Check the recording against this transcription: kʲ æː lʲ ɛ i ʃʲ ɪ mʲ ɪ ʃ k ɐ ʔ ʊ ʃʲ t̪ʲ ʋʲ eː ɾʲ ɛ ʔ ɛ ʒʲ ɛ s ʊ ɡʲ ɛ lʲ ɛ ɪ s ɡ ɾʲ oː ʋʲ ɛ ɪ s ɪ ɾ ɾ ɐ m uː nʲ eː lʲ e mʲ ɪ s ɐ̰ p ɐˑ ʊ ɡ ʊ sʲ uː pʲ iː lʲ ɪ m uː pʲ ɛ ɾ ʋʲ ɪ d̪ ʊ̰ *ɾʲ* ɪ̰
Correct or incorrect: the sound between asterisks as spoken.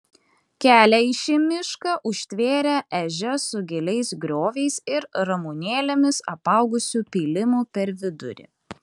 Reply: correct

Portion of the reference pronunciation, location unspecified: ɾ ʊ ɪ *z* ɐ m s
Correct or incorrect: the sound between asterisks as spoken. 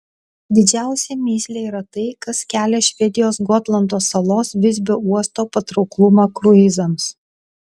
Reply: correct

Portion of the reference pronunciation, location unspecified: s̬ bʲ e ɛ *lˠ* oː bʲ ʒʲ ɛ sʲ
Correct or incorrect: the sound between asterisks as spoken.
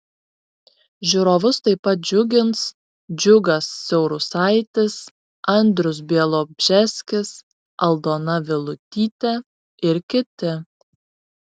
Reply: correct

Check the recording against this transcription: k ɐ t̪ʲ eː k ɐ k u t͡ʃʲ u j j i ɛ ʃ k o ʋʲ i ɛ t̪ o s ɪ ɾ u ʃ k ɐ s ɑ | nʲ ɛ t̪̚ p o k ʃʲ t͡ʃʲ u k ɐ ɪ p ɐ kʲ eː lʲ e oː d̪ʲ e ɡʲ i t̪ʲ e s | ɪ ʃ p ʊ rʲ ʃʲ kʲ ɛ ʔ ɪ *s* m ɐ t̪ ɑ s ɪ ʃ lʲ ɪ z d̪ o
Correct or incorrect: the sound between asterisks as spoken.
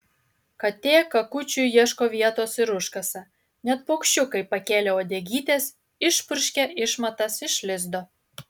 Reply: incorrect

